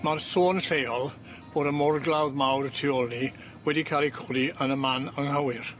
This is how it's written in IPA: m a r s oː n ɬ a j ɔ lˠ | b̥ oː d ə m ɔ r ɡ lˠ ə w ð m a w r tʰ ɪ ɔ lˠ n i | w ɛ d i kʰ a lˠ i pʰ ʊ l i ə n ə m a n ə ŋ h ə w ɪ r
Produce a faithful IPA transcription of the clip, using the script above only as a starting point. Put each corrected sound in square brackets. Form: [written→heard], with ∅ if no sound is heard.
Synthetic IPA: m a r s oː n ɬ [a→e] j ɔ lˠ | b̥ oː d ə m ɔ r ɡ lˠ [ə→a] w ð m a w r tʰ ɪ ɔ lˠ n i | w ɛ d i kʰ a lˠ i [pʰ→kʰ] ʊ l i ə n ə m a n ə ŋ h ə w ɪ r